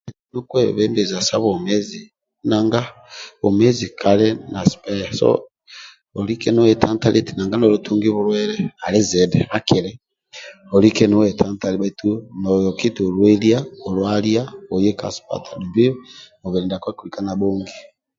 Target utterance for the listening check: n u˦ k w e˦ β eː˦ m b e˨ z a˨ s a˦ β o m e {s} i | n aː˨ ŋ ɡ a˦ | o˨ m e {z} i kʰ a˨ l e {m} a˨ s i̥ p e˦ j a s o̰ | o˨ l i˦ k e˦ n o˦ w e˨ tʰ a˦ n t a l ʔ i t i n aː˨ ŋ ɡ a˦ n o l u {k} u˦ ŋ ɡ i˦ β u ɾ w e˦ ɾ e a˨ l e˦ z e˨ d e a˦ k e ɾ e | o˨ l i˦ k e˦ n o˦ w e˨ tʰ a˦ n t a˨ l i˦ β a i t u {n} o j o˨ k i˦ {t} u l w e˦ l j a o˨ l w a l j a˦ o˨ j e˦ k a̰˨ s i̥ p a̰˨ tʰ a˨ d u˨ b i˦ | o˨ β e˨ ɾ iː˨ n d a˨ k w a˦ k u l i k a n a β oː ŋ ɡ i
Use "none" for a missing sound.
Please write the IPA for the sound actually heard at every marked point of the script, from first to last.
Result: z, z, n, t, n, t

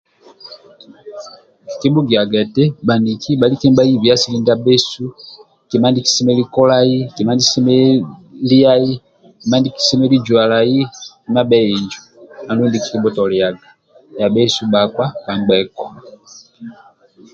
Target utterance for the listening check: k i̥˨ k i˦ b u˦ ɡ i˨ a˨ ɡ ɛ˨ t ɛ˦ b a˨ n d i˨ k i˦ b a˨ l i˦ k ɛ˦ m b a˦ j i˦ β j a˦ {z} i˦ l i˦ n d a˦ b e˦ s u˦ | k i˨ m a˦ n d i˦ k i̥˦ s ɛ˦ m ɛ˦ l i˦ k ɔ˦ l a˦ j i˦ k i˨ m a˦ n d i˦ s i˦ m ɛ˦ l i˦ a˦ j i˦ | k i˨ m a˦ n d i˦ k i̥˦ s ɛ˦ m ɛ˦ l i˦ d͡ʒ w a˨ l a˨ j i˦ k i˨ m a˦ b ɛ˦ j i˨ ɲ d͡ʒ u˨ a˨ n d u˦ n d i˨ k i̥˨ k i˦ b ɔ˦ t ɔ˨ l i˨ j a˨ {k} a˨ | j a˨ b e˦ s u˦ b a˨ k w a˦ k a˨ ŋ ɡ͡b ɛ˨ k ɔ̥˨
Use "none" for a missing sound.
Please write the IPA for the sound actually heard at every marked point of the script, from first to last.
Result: s, ɡ

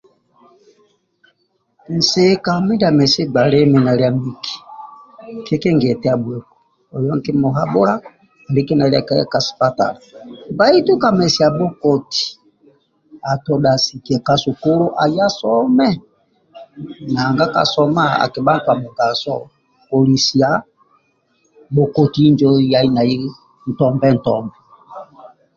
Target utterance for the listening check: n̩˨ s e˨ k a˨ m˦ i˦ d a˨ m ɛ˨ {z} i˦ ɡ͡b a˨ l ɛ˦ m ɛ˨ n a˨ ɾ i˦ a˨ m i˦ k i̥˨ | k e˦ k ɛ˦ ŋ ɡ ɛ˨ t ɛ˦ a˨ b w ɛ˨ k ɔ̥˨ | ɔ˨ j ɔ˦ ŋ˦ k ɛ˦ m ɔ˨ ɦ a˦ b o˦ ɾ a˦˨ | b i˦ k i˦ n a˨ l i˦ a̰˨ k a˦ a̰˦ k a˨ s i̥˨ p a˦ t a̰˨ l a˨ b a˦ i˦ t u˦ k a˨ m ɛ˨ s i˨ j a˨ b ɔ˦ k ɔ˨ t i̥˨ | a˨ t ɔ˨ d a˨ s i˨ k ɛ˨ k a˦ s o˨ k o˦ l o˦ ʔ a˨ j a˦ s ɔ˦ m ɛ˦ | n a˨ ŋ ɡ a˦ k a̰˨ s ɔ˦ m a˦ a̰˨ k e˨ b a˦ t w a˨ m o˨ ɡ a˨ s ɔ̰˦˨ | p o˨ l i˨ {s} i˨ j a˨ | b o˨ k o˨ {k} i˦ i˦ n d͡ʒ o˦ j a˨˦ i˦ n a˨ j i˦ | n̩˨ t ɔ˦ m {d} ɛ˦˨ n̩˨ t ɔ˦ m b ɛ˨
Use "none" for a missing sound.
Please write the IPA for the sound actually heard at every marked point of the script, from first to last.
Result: s, s, t, b

